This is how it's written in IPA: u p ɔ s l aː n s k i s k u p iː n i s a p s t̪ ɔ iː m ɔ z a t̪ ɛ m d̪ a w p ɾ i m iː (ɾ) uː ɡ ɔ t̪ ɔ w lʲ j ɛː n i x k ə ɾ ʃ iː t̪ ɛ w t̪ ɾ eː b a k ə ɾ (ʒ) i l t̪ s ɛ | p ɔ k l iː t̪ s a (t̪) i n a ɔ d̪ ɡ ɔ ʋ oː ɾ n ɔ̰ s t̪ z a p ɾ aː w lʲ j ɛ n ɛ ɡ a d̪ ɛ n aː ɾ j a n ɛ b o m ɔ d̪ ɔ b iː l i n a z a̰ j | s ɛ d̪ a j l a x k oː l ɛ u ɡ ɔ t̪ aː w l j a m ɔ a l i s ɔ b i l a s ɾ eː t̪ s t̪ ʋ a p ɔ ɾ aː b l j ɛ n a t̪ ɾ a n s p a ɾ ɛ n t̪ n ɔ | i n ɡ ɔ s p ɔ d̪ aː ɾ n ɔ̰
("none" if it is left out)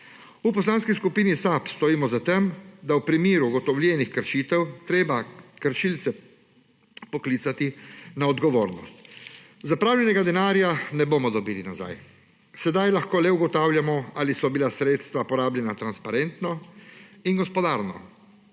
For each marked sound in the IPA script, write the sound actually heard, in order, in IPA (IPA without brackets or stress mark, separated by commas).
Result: ɾ, ʃ, t̪